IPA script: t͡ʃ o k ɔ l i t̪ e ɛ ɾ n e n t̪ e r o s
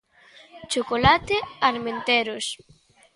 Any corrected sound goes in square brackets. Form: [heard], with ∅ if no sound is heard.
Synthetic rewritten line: t͡ʃ o k [o] l [a] t̪ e [a] ɾ [m] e n t̪ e [ɾ] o s